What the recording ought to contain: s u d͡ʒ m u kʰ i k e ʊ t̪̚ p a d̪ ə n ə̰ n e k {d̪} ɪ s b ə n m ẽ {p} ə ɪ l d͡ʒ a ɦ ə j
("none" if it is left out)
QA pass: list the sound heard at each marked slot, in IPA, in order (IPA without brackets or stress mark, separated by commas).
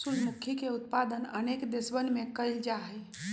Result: d̪, k